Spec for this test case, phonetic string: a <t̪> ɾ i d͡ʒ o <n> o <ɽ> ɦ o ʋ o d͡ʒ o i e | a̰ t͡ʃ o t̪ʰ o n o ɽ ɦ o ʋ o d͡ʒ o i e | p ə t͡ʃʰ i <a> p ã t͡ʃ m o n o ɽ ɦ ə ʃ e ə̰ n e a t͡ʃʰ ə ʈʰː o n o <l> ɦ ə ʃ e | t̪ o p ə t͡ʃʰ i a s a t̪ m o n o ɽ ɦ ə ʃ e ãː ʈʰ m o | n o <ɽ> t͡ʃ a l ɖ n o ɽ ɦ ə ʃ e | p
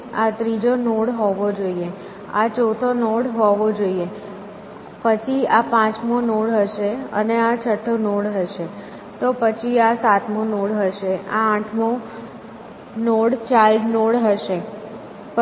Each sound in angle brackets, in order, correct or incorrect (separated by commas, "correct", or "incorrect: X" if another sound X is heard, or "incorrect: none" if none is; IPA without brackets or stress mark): correct, correct, correct, correct, incorrect: ɽ, correct